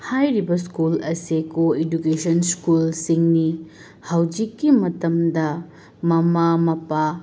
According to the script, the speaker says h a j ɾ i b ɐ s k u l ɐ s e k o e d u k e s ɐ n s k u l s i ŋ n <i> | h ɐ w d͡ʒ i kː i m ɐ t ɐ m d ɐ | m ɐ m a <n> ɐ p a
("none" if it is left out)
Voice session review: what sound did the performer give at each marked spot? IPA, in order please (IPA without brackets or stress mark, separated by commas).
i, m